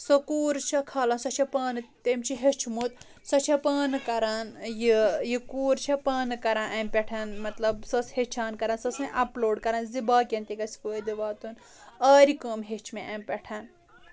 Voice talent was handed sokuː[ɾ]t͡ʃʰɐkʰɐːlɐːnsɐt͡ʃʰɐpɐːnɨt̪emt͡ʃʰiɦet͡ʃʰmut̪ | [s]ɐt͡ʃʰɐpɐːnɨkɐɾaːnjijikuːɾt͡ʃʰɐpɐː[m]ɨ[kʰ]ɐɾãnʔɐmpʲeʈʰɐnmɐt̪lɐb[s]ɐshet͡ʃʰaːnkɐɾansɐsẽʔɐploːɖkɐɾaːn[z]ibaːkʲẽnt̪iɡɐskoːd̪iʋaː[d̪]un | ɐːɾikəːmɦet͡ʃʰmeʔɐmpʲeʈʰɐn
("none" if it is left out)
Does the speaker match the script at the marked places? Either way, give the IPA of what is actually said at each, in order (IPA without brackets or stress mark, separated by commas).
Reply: ɾ, s, n, k, s, z, t̪